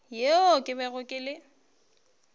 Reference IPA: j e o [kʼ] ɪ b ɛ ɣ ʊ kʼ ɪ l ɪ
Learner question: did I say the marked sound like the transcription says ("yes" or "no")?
yes